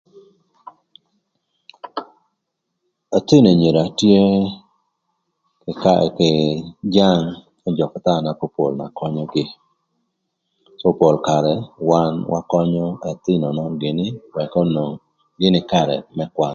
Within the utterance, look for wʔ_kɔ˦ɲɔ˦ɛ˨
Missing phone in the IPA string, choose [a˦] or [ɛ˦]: a˦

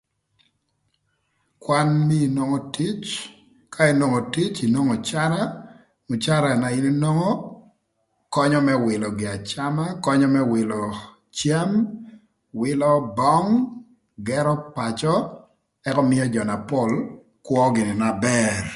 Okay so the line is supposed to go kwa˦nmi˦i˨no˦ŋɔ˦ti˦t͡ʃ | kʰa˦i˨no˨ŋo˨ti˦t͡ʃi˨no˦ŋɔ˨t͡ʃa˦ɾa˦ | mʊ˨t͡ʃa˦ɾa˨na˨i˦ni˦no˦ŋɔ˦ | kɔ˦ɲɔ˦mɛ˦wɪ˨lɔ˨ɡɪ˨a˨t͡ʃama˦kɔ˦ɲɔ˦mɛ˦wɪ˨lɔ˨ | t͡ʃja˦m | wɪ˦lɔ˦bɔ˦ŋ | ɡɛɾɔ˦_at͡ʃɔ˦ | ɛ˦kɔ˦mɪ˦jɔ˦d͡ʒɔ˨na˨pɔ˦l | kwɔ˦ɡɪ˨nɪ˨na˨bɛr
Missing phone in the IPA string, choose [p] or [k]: p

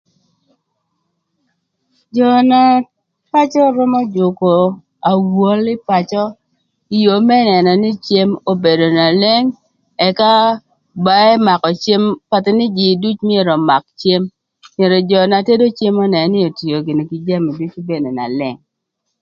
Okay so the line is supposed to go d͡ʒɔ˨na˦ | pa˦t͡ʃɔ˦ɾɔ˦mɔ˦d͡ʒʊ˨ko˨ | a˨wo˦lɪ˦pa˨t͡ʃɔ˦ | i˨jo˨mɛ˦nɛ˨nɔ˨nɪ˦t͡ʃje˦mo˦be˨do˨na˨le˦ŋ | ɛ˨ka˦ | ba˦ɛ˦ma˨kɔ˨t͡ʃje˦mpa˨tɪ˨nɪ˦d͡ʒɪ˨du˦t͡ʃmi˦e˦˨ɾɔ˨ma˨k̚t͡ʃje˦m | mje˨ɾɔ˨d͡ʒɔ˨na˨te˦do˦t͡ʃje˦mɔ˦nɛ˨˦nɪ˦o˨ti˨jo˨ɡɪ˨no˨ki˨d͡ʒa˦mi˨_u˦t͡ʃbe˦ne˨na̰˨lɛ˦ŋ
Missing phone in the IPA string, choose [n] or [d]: d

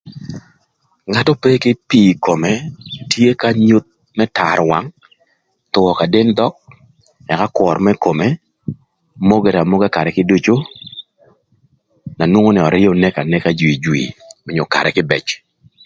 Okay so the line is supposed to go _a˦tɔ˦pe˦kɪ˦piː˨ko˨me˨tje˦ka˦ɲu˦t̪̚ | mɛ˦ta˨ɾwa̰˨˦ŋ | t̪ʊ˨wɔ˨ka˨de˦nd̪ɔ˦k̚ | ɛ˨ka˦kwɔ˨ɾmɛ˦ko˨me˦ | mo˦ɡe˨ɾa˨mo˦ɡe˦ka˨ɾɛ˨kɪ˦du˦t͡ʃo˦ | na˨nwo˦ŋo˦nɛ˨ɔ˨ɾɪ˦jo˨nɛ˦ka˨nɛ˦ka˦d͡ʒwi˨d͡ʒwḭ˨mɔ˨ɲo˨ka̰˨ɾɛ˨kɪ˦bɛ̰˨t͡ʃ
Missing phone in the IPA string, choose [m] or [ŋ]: ŋ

